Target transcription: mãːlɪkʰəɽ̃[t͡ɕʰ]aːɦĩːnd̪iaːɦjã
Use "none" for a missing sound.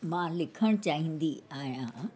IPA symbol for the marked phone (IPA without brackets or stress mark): t͡ɕ